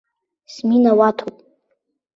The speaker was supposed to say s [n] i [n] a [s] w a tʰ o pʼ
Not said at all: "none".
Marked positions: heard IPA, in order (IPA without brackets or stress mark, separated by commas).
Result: m, n, none